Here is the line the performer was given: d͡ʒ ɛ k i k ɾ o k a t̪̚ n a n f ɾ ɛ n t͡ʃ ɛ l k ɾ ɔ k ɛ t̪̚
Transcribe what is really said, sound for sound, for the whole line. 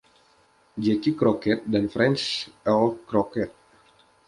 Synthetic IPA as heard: d͡ʒ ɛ k i k ɾ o k ɛ t̪̚ d a n f ɾ ɛ n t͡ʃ ɛ l k ɾ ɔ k ɛ t̪̚

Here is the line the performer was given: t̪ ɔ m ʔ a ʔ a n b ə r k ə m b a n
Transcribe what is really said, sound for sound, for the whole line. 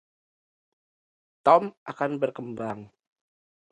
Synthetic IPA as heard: t̪ ɔ m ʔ a k a n b ə r k ə m b a ŋ

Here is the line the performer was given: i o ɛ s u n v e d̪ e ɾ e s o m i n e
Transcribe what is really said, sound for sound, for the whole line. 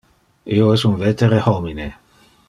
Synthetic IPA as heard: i o ɛ s u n v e t̪ e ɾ e h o m i n e

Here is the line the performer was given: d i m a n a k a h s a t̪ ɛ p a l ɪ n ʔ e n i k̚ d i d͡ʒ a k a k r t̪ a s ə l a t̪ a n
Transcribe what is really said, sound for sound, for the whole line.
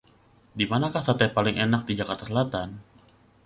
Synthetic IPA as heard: d i m a n a k a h s a t̪ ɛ p a l ɪ ŋ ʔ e n a k̚ d i d͡ʒ a k a r t̪ a s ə l a t̪ a n

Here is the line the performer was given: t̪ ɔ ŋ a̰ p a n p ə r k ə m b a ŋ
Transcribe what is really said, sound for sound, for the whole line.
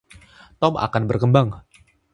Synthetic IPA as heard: t̪ ɔ m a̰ k a n b ə r k ə m b a ŋ

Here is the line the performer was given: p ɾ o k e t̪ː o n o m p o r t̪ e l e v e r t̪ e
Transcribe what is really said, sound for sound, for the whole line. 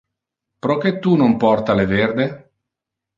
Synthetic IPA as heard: p ɾ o k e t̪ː u n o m p ɔ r t̪ a l e v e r d̪ e

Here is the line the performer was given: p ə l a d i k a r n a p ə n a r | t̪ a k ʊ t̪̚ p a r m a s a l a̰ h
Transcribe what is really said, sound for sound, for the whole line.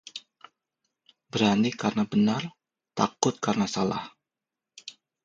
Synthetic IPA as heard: b ə ɾ a n i k a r n a b ə n a r | t̪ a k ʊ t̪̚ k a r n a s a l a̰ h

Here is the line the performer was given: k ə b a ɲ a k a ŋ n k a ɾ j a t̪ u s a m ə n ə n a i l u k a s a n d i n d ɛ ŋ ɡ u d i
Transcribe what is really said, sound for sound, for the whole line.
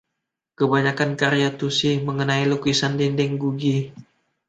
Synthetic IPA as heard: k ə b a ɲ a k a n k a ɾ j a t̪ u s i m ə ŋ ə n a i l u k i s a n d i n d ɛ ŋ ɡ u ɡ i

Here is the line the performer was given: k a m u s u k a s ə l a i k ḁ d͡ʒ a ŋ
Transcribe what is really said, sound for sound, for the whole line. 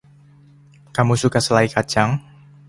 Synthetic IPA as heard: k a m u s u k a s ə l a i k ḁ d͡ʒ a ŋ

